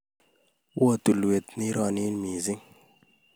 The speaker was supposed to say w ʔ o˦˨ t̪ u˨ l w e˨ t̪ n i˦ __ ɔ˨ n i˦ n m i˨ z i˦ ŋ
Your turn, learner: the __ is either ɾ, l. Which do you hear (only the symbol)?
ɾ